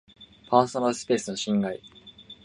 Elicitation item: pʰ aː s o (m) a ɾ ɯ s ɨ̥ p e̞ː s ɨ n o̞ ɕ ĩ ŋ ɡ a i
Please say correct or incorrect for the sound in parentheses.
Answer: incorrect: n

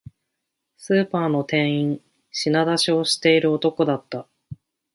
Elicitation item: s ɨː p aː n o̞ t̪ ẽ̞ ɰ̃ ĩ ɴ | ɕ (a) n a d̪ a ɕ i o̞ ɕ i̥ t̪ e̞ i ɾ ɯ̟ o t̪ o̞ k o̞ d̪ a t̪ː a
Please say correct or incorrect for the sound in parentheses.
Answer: incorrect: i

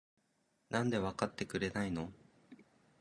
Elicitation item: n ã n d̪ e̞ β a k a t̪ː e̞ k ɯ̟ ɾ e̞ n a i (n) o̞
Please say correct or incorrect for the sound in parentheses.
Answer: correct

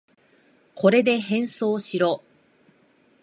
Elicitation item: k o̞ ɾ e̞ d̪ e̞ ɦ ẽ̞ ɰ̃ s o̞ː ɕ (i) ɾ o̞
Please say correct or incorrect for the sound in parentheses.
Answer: correct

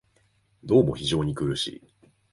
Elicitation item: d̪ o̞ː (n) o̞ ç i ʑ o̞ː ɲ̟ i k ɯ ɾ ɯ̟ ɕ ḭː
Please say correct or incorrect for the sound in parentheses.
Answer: incorrect: m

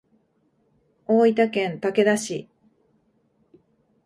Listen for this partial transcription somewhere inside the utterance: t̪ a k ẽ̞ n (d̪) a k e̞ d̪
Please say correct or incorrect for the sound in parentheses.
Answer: incorrect: t̪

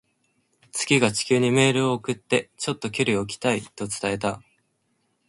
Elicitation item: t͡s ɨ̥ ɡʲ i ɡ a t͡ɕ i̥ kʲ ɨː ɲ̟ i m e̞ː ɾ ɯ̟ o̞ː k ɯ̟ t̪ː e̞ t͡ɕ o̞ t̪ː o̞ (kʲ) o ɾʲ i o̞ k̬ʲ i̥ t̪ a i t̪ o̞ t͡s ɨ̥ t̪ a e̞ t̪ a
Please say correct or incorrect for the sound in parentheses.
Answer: correct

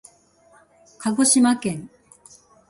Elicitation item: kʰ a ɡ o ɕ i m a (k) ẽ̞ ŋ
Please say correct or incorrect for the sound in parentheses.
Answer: correct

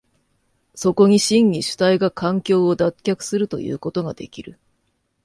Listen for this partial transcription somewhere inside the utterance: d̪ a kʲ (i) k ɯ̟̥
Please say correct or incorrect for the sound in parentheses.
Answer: incorrect: a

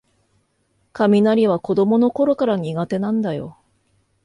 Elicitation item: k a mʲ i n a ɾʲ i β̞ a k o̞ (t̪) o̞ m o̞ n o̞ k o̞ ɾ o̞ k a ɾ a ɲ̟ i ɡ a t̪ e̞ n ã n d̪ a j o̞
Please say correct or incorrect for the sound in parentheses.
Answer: incorrect: d̪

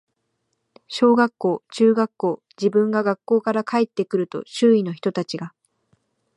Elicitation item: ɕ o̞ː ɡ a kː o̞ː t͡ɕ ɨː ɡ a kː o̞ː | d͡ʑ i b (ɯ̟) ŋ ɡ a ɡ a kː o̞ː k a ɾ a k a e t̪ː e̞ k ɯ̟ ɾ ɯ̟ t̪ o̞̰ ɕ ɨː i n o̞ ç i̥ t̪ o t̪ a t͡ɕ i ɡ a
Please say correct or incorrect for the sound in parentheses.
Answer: incorrect: ɯ̟̃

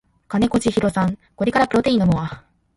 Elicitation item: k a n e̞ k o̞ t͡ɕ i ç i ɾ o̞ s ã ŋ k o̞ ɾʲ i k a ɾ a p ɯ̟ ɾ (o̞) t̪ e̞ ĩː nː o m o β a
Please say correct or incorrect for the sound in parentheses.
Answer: correct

